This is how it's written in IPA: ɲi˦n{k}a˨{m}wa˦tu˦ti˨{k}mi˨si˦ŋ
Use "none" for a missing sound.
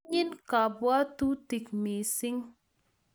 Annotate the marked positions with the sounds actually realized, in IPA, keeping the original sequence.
k, b, k

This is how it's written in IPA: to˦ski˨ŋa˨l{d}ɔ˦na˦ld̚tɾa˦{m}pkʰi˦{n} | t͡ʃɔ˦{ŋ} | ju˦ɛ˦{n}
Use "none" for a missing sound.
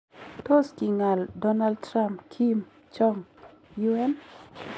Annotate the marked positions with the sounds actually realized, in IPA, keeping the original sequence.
d, m, m, ŋ, n

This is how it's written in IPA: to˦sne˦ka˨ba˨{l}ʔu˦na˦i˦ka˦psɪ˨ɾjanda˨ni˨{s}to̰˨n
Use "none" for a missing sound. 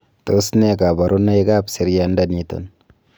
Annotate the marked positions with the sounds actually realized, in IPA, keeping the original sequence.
ɾ, none

